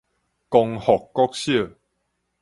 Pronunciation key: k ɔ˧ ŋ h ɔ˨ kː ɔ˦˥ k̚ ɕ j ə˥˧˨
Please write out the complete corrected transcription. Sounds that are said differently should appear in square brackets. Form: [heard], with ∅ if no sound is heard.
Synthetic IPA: k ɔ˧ ŋ h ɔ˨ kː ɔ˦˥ k̚ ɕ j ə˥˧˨